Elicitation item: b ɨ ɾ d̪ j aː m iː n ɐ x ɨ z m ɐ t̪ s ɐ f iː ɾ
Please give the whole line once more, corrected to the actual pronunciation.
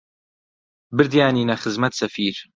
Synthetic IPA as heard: b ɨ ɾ d̪ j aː n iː n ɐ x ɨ z m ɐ t̪ s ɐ f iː ɾ